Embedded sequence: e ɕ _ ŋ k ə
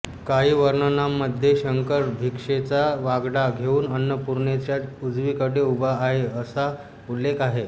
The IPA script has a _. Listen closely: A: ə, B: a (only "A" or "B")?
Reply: A